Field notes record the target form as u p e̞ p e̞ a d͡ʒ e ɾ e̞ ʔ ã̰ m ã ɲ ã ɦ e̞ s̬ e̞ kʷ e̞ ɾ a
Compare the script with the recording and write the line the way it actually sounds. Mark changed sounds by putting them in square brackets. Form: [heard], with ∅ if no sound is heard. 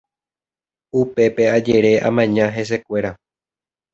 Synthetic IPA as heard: u p e̞ p e̞ a d͡ʒ e ɾ e̞ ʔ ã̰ m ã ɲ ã ɦ e̞ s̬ e̞ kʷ e̞ ɾ a